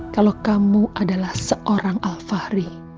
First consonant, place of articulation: velar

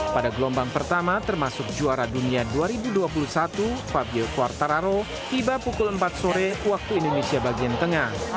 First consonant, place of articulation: labial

